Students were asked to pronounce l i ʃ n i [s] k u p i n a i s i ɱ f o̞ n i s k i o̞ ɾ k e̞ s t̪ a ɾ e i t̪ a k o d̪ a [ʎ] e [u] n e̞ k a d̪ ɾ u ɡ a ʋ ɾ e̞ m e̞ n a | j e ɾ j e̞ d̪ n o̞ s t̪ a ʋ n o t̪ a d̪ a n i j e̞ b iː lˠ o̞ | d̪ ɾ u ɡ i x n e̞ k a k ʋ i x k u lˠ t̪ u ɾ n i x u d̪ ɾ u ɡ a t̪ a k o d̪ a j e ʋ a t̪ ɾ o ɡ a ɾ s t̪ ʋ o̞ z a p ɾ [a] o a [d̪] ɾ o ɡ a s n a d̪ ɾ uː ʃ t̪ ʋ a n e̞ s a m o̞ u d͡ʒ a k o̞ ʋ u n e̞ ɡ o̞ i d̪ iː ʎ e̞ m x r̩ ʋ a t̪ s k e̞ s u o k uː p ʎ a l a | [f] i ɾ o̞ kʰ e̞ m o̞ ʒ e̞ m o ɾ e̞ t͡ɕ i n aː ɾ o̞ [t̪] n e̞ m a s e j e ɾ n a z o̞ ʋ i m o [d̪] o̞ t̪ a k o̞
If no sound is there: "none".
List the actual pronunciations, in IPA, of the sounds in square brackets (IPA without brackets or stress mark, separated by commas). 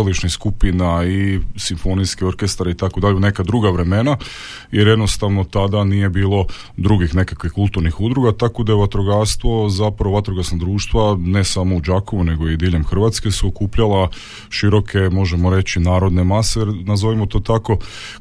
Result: s, ʎ, u, a, t̪, ʃ, d̪, t̪